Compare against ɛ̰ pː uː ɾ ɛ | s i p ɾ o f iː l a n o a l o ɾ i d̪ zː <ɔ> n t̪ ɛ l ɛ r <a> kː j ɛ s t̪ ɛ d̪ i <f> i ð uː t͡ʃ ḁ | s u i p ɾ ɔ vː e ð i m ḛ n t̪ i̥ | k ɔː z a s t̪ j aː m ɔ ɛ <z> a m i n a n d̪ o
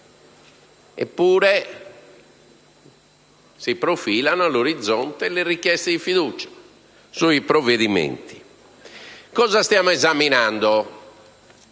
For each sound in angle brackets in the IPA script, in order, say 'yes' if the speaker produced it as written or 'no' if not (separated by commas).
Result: yes, no, yes, yes